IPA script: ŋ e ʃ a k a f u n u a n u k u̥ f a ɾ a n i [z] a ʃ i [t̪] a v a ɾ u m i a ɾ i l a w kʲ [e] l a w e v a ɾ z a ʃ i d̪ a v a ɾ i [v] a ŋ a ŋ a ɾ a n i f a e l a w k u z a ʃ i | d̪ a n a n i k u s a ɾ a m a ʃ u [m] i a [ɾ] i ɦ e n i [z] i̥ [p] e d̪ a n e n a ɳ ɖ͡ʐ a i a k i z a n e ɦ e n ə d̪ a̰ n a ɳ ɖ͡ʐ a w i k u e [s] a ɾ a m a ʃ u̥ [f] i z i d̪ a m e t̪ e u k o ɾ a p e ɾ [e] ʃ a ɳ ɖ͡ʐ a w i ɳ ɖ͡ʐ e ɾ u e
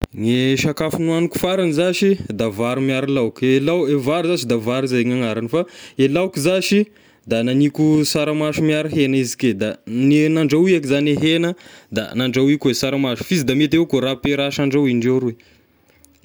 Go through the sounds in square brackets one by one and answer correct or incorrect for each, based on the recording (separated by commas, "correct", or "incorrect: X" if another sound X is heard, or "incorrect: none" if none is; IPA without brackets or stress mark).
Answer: correct, incorrect: d̪, correct, incorrect: z, correct, correct, correct, incorrect: k, correct, correct, incorrect: a